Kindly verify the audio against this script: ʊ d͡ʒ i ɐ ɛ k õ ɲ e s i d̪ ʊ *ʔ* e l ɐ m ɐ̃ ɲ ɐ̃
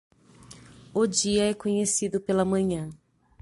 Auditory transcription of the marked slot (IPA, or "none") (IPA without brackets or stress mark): p